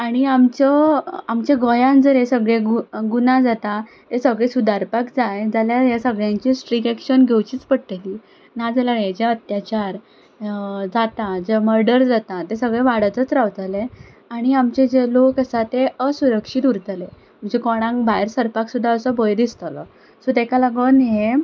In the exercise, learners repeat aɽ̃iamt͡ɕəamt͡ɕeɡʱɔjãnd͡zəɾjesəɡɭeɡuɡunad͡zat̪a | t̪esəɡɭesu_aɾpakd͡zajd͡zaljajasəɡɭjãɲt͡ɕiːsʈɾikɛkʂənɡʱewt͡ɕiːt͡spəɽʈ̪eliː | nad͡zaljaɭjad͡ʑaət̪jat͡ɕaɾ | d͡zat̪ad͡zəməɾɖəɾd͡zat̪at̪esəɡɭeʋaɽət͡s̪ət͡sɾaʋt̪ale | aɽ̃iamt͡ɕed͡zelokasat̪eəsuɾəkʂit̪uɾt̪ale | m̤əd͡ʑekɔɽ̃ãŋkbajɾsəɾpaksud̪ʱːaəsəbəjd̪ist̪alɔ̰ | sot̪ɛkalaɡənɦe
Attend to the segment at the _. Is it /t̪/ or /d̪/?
d̪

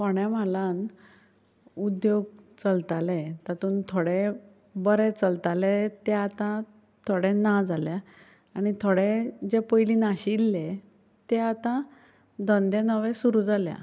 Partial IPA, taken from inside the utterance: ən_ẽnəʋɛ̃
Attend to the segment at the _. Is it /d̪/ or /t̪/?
d̪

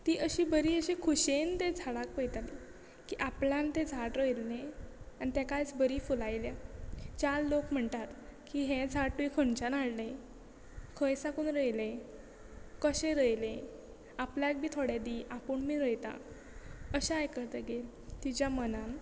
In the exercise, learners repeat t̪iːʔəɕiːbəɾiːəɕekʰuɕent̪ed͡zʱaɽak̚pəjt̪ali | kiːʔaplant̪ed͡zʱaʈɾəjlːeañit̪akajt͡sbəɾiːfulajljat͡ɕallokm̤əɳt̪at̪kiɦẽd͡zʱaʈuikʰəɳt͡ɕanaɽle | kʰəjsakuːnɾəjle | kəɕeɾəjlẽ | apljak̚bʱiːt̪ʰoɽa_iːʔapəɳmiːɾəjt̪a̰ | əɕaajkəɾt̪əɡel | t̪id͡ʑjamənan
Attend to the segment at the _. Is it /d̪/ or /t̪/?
d̪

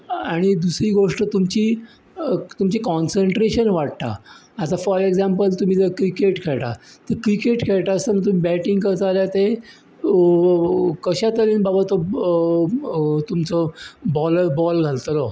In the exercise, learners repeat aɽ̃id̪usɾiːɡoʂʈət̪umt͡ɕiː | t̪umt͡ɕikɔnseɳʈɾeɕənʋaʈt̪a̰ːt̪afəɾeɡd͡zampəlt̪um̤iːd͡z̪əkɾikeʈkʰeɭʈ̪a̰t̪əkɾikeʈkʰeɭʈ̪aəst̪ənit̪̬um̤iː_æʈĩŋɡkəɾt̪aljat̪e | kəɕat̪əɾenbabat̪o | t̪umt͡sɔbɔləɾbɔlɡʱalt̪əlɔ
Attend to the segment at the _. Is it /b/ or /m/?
b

